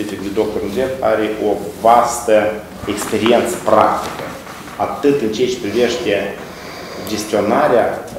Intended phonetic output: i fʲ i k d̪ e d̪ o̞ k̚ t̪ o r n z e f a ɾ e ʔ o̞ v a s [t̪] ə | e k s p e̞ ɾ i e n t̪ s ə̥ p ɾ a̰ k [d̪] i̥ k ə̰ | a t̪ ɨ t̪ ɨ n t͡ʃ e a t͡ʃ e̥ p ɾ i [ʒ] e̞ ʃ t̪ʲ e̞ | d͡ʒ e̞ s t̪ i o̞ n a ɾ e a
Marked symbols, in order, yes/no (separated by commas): yes, no, no